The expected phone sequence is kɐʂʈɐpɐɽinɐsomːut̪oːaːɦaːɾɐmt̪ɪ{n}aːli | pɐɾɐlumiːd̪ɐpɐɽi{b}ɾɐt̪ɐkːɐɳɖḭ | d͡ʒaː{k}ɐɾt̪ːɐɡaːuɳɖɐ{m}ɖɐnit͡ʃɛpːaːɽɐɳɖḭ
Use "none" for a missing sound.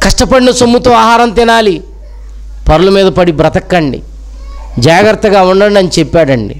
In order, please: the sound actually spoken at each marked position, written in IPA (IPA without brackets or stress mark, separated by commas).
n, b, ɡ, ɳ